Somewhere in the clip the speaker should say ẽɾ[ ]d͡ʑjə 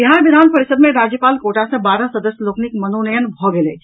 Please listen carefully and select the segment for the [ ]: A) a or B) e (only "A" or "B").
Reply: A